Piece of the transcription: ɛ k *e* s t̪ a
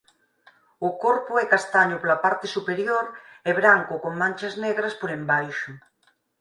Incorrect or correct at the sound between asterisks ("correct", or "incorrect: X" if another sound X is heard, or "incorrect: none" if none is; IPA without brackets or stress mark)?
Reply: incorrect: a